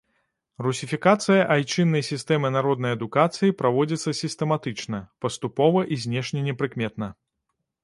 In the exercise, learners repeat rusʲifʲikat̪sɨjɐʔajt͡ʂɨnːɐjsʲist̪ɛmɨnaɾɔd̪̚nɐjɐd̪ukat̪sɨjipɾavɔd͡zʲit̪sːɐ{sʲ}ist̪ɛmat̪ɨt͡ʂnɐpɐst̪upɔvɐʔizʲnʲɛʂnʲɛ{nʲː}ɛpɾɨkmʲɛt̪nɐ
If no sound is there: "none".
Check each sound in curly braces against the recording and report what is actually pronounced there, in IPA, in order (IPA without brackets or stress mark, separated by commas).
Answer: sʲ, nʲ